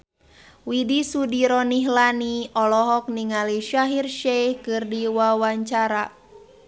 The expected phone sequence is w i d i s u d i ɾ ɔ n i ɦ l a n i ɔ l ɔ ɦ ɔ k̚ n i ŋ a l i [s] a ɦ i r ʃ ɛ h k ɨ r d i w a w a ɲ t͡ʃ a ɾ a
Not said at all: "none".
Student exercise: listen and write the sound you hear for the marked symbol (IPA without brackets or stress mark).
ʃ